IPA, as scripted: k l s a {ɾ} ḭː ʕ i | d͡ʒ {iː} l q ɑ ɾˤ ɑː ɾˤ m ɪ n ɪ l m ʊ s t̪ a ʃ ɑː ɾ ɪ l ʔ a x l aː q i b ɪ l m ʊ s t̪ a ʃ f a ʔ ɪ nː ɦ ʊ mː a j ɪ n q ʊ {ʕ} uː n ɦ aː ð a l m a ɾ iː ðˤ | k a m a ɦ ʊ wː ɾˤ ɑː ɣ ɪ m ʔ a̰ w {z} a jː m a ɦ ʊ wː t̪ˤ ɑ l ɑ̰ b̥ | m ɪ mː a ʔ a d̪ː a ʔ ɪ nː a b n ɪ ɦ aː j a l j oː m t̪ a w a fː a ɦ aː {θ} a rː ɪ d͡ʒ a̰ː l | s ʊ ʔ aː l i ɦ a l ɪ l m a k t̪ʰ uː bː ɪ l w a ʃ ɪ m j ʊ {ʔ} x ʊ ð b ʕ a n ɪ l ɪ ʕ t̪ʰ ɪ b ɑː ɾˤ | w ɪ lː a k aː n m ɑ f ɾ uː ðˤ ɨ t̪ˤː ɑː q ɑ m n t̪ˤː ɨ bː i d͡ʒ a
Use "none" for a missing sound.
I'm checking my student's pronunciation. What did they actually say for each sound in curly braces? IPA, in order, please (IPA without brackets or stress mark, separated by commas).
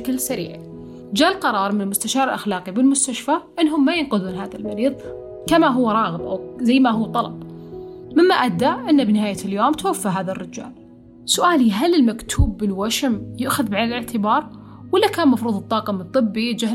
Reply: ɾ, aː, ð, z, ð, ʔ